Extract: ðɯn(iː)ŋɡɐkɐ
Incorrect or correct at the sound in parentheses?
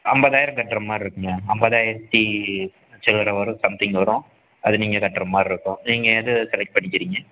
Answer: correct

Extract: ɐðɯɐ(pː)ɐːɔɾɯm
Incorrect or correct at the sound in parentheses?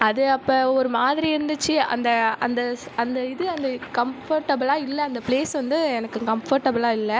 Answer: correct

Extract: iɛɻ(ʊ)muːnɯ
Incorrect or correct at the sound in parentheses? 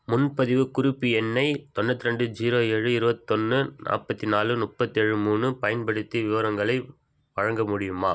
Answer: incorrect: ɯ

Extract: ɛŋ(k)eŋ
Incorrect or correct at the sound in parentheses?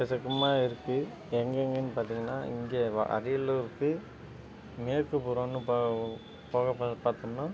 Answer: incorrect: ɡ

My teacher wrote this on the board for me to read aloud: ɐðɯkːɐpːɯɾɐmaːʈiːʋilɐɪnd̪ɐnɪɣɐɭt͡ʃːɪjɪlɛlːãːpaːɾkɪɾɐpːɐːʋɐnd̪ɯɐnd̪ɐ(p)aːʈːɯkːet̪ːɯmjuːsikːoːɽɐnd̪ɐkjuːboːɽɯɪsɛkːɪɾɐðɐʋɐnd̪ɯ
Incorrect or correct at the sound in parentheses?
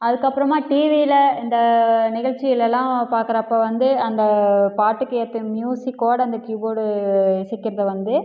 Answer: correct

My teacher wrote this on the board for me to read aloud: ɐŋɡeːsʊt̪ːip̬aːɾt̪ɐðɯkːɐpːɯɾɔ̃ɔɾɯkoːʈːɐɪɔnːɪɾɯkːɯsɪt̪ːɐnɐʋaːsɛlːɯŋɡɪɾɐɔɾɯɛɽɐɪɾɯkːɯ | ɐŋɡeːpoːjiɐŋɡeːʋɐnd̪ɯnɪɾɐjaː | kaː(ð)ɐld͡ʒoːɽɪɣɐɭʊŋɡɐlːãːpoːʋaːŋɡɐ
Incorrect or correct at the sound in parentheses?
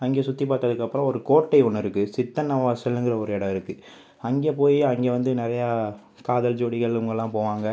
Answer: correct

